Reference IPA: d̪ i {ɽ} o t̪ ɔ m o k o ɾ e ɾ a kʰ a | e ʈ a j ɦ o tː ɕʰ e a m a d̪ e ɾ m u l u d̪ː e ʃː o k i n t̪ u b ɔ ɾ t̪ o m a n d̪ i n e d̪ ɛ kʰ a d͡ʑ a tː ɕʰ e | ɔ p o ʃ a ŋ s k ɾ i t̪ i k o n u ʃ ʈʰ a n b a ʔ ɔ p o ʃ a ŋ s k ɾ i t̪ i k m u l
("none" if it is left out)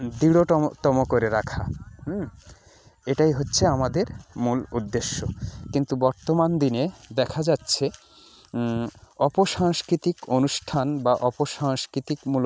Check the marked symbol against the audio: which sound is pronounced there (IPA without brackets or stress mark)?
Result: ɽ